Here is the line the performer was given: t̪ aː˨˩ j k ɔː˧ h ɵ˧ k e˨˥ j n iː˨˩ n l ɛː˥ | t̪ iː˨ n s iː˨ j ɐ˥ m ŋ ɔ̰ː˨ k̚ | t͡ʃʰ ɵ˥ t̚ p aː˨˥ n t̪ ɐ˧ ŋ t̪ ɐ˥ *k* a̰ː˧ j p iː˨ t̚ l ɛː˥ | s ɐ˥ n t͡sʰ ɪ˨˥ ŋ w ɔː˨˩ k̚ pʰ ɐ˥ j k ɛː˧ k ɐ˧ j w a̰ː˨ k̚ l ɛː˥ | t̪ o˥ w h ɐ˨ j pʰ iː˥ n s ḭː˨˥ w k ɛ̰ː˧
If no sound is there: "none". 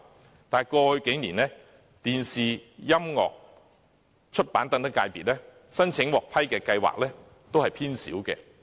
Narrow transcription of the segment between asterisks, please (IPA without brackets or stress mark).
k